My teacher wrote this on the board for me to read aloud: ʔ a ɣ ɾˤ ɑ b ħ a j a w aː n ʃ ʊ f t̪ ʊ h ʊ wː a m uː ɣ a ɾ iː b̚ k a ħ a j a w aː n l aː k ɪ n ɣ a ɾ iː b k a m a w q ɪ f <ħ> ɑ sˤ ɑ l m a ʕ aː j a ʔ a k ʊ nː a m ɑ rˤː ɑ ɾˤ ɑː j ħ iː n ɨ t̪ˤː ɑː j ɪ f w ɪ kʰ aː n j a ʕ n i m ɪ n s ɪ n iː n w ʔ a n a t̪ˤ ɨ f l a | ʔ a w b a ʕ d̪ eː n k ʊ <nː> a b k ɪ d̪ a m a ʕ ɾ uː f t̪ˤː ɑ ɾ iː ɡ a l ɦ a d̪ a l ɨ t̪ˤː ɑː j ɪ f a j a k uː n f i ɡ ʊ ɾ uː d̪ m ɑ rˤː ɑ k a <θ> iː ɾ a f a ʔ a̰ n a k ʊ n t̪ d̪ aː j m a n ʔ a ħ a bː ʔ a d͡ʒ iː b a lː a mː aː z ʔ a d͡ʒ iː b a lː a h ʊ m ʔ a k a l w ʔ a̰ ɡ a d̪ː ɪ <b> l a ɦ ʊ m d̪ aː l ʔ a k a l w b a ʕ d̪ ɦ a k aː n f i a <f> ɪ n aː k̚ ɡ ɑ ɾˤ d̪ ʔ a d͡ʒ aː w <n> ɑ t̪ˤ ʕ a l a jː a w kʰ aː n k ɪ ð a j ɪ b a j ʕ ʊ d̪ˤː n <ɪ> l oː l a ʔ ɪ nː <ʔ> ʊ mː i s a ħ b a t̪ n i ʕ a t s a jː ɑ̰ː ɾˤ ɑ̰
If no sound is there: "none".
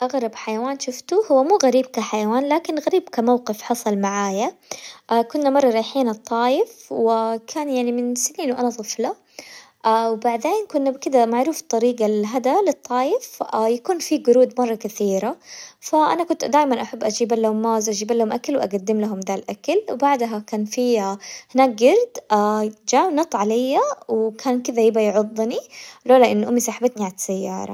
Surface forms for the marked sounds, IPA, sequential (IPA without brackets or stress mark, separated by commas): ħ, nː, θ, m, h, n, i, ʔ